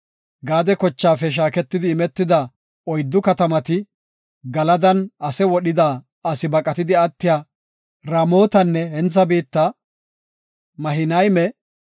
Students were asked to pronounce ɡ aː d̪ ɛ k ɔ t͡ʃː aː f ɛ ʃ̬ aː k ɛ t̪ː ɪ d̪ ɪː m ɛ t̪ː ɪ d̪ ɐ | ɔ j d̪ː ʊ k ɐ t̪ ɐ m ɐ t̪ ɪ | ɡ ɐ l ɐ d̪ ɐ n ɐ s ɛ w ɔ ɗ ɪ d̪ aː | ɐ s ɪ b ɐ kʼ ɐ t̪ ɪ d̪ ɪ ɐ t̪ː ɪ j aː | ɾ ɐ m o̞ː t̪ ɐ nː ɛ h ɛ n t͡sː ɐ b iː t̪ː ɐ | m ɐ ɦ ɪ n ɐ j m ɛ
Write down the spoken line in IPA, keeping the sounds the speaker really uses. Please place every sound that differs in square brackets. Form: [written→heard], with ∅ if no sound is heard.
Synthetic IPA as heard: ɡ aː d̪ ɛ k ɔ t͡ʃː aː f ɛ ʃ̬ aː k ɛ t̪ː ɪ d̪ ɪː m ɛ t̪ː ɪ d̪ ɐ | ɔ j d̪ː ʊ k ɐ t̪ ɐ m ɐ t̪ ɪ | ɡ ɐ l ɐ d̪ ɐ n ɐ s ɛ w ɔ ɗ ɪ d̪ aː | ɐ s ɪ b ɐ kʼ ɐ t̪ ɪ d̪ ɪ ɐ t̪ː ɪ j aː | ɾ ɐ m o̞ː t̪ ɐ nː ɛ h ɛ n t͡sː ɐ b iː t̪ː ɐ | m ɐ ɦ ɪ n ɐ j m ɛ